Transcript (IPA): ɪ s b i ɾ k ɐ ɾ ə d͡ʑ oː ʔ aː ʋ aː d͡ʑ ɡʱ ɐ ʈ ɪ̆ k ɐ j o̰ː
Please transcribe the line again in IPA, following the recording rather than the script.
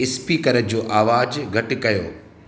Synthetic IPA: ɪ s p i k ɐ ɾ ə d͡ʑ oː ʔ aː ʋ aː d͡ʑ ɡʱ ɐ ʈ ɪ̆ k ɐ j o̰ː

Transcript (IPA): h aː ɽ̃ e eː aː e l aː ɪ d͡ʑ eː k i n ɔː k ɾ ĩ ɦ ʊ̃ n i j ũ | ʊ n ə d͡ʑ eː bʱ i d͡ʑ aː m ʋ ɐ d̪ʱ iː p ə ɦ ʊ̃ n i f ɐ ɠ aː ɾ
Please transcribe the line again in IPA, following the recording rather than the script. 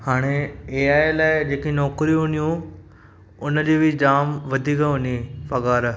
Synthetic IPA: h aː ɽ̃ e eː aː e l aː ɪ d͡ʑ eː k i n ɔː k ɾ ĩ ɦ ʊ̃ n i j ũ | ʊ n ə d͡ʑ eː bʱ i d͡ʑ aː m ʋ ɐ d̪ʱ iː k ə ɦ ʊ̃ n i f ɐ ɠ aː ɾ

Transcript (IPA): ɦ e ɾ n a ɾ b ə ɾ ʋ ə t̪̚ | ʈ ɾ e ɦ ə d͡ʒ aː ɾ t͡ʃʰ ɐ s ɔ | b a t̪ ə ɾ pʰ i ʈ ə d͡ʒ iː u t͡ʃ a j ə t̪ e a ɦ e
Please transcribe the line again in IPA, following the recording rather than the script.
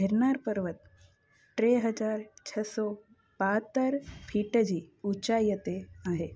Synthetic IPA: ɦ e ɾ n a ɾ p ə ɾ ʋ ə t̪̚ | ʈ ɾ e ɦ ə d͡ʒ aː ɾ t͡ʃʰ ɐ s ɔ | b a t̪ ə ɾ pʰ i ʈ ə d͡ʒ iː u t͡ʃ a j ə t̪ e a ɦ e

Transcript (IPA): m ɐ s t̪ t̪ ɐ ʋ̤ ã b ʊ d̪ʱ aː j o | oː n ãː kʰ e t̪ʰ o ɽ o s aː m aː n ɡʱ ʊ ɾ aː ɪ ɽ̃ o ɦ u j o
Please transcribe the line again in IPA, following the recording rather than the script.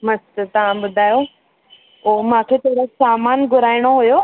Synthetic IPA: m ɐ s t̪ t̪ ɐ ʋ̤ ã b ʊ d̪ʱ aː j o | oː m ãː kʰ e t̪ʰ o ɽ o s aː m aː n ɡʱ ʊ ɾ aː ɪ ɽ̃ o ɦ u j o

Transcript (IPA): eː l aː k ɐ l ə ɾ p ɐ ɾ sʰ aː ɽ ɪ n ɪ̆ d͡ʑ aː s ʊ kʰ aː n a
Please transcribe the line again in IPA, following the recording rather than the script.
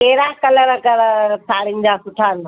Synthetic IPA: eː ɾ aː k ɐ l ə ɾ k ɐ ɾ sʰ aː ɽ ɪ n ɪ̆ d͡ʑ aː s ʊ ʈʰ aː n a

